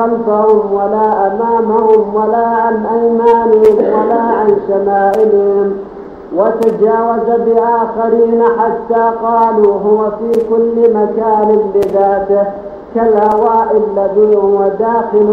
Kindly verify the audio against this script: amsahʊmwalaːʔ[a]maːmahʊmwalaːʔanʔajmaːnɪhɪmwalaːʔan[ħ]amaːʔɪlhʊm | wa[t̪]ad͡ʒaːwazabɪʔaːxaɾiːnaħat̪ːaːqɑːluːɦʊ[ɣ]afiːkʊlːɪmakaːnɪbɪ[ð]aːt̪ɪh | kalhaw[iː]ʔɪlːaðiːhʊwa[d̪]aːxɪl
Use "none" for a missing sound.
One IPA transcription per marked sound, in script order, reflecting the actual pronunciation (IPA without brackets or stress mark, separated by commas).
a, ʃ, t̪, w, ð, aː, d̪